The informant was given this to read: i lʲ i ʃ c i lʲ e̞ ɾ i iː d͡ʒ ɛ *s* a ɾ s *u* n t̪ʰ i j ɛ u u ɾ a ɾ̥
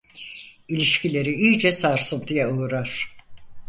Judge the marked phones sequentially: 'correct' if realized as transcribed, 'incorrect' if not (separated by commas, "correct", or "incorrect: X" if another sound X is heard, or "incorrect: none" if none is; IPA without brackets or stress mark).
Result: correct, incorrect: ɯ